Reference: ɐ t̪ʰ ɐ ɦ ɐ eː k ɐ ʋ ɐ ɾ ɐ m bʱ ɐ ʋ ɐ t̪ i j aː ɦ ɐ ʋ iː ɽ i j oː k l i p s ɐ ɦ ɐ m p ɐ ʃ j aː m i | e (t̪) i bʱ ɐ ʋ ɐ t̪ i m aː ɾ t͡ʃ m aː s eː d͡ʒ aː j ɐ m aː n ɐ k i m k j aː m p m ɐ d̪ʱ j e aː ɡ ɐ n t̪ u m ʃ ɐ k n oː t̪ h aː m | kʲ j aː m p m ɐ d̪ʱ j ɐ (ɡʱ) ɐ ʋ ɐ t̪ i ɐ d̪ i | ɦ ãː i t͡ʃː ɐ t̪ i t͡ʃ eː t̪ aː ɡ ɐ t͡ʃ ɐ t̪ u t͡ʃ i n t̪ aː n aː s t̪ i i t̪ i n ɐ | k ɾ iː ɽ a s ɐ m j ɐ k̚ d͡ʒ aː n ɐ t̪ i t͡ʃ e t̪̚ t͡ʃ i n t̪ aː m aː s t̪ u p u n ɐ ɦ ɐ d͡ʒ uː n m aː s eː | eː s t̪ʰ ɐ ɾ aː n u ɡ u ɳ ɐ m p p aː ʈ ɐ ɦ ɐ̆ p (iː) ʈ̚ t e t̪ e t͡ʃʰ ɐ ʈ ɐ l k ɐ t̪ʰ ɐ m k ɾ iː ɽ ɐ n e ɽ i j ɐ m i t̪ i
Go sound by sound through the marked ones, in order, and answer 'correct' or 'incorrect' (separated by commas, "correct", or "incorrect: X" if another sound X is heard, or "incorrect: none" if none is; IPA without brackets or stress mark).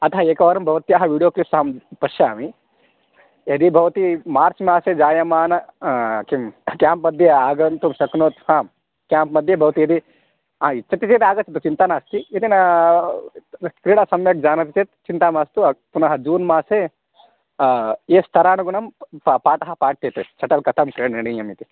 incorrect: d̪, incorrect: bʱ, incorrect: aː